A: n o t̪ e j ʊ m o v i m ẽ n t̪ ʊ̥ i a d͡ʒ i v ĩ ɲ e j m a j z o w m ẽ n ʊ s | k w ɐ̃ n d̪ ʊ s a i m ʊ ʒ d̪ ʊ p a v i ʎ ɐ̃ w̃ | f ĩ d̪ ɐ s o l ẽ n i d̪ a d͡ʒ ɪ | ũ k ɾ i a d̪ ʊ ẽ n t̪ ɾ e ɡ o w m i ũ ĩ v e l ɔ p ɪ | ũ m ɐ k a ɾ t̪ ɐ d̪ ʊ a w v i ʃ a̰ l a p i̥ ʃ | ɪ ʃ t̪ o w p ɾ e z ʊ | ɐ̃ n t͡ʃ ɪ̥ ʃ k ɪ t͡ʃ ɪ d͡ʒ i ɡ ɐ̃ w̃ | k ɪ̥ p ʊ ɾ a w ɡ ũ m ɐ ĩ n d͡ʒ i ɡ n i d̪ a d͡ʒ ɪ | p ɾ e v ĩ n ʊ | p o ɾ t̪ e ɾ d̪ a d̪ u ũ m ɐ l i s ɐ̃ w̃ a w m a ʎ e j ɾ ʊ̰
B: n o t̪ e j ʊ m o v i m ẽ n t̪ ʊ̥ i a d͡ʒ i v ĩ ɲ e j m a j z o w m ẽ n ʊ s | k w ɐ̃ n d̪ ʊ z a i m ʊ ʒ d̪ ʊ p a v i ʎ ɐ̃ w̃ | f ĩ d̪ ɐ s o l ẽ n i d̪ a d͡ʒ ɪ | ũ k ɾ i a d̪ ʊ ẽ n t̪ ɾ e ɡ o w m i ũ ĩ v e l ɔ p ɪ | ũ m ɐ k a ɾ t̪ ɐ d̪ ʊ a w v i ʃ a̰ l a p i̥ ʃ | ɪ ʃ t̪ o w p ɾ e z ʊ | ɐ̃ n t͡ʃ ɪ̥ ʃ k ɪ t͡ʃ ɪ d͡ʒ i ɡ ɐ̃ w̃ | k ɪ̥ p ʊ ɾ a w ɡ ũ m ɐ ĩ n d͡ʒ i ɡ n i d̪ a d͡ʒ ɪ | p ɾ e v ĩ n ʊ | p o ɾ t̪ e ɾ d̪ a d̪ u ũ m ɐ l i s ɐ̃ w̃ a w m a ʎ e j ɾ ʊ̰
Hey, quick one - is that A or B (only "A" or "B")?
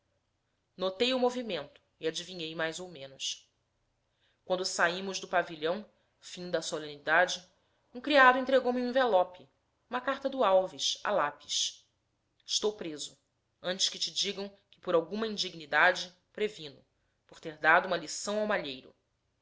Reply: A